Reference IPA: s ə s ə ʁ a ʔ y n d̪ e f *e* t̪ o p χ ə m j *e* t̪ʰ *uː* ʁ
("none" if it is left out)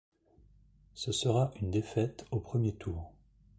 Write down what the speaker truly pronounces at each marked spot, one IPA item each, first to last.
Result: ɛ, e, uː

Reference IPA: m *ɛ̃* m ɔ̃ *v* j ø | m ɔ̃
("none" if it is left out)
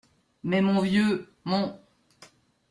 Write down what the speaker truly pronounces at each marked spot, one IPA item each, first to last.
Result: ɛ, v

